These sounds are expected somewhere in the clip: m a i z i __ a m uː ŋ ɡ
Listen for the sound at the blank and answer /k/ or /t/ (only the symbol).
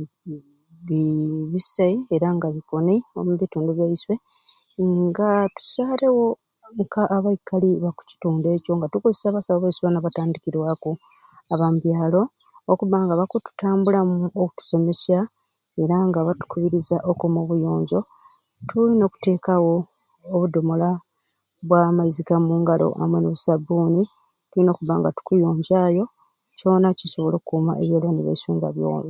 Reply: k